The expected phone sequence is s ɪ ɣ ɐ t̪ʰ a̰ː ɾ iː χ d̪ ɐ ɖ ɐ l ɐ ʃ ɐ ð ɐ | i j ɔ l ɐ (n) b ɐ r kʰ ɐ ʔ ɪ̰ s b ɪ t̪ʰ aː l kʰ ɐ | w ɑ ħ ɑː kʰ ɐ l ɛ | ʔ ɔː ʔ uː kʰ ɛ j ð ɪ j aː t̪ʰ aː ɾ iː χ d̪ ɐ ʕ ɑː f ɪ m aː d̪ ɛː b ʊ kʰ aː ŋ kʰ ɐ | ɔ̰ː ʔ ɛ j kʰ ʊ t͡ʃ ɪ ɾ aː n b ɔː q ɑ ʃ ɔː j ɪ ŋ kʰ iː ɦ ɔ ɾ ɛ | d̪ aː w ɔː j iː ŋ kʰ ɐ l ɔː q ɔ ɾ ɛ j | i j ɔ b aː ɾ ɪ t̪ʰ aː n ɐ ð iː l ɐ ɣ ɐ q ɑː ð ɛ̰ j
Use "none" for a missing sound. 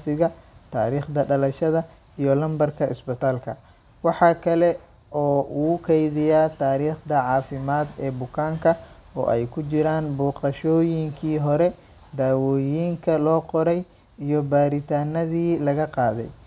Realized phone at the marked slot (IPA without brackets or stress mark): m